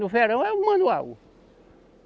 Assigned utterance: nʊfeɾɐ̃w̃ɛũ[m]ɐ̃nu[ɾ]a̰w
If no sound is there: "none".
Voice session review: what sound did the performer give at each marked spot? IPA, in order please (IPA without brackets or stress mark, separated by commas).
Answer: m, none